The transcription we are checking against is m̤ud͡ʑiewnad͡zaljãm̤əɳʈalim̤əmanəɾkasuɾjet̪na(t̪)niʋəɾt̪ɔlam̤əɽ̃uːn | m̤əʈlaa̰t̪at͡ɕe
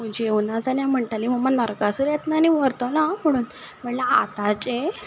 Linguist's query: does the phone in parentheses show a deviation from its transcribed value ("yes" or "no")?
yes